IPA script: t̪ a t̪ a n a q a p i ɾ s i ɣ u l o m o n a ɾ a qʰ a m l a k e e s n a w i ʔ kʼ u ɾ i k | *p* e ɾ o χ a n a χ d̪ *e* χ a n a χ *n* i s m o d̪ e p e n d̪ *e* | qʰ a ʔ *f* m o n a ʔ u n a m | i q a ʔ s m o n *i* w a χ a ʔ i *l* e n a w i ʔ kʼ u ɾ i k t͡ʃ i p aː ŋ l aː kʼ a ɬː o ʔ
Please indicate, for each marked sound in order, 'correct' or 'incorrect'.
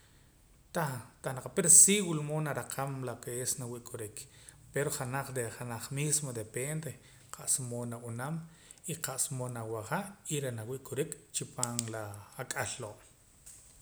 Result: correct, correct, incorrect: m, correct, incorrect: s, incorrect: a, incorrect: ɾ

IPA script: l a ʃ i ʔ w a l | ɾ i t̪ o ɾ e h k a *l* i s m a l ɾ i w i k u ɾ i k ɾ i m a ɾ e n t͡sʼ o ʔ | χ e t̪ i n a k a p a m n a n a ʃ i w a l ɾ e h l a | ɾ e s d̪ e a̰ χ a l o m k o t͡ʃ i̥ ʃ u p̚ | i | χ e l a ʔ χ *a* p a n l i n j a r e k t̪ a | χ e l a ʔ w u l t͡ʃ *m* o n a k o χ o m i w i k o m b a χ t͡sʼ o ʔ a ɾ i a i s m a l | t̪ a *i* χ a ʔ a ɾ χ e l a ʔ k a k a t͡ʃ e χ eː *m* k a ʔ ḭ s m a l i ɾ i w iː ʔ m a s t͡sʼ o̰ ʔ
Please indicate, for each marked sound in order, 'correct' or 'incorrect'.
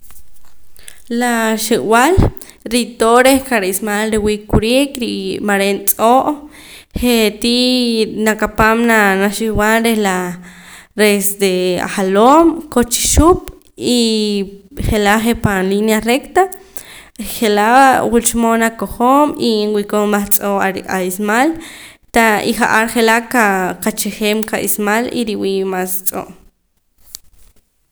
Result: incorrect: ɾ, incorrect: e, correct, correct, correct

